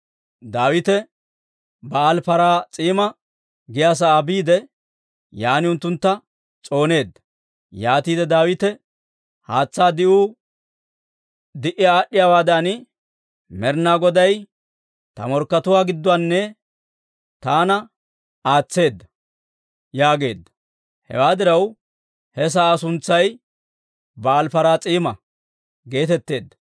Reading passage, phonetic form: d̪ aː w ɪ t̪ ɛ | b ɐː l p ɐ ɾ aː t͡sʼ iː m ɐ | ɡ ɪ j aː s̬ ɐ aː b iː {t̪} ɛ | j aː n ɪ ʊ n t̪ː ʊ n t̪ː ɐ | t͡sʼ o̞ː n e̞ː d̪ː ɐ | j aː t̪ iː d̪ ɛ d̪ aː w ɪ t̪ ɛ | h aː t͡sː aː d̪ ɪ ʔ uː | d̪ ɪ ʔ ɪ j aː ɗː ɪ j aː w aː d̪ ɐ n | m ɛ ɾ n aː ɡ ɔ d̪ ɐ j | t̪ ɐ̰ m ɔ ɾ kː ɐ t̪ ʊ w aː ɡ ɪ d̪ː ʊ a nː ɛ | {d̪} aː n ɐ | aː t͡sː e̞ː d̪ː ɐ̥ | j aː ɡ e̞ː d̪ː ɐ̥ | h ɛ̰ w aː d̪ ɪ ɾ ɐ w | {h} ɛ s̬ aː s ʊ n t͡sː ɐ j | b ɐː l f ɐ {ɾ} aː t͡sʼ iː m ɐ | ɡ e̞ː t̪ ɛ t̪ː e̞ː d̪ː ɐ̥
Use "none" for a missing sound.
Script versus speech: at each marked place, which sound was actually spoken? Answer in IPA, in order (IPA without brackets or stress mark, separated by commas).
d̪, t̪, h, ɾ